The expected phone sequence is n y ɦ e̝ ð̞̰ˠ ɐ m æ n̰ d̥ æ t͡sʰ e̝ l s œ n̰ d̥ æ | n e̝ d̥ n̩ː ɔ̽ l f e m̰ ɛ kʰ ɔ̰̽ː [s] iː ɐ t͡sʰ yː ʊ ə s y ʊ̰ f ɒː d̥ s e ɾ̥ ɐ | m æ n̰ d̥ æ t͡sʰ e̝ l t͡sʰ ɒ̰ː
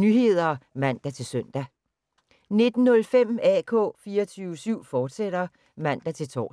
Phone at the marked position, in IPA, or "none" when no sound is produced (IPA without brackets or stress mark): f